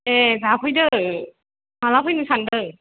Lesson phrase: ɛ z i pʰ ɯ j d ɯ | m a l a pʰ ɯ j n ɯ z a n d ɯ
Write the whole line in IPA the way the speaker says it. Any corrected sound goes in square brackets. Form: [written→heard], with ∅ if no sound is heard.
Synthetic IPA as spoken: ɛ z [i→a] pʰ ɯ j d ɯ | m a l a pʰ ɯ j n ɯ [z→s] a n d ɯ